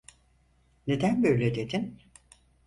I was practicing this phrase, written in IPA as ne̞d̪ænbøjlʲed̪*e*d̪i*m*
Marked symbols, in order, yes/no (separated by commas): yes, no